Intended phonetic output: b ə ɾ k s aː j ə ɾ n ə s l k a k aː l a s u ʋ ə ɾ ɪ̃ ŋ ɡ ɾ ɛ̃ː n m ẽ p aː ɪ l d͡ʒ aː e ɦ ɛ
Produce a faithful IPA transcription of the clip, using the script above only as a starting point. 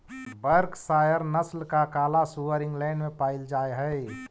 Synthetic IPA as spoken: b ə ɾ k s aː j ə ɾ n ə s l k a k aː l a s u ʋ ə ɾ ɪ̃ ŋ ɡ l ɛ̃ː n m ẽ p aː ɪ l d͡ʒ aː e ɦ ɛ